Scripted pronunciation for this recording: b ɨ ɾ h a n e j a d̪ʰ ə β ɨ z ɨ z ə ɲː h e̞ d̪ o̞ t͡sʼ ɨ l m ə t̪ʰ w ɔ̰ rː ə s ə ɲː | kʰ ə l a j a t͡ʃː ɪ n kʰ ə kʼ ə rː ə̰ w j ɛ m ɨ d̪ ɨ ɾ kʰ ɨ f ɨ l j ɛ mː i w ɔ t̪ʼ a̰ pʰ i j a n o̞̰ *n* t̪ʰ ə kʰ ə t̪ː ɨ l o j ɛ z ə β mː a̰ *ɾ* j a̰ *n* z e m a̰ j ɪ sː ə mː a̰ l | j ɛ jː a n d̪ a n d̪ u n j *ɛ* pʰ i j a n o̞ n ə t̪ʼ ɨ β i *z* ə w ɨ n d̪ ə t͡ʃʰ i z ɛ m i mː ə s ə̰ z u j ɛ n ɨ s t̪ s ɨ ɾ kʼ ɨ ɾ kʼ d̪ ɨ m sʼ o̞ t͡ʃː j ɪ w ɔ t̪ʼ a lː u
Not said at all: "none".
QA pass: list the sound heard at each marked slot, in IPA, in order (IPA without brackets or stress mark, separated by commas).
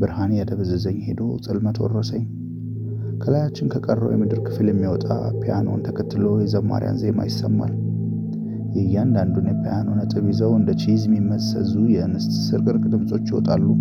n, ɾ, n, ɛ, z